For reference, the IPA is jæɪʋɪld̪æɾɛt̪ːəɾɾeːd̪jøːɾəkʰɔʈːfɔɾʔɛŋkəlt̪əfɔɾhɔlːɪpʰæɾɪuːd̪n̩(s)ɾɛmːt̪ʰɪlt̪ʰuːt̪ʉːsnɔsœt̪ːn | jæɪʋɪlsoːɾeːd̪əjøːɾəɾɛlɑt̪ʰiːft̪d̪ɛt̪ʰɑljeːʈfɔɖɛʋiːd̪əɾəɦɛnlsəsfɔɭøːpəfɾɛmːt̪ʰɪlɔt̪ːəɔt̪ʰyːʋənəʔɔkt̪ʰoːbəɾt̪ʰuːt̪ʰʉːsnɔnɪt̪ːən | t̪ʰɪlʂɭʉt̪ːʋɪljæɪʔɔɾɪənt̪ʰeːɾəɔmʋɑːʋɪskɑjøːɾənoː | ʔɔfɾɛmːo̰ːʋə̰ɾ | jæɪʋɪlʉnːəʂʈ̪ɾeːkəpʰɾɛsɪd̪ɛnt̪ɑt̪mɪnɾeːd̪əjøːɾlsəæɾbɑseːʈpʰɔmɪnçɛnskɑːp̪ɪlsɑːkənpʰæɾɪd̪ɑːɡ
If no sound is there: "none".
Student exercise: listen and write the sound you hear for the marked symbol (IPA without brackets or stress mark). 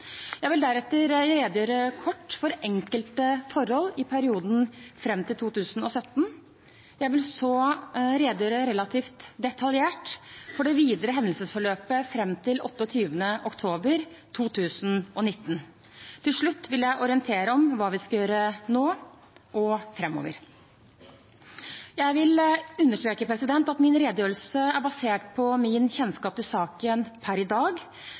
f